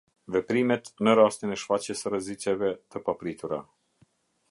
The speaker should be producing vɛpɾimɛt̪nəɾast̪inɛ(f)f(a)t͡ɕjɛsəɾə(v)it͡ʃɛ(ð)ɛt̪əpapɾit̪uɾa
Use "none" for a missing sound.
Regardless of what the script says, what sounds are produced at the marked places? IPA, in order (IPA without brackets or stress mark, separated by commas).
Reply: ʃ, a, z, v